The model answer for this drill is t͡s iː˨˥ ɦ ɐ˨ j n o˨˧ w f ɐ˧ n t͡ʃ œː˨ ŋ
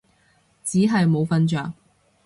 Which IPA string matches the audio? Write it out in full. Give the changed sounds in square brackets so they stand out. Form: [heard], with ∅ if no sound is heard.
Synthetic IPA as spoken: t͡s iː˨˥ ɦ ɐ˨ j [m] o˨˧ w f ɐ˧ n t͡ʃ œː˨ ŋ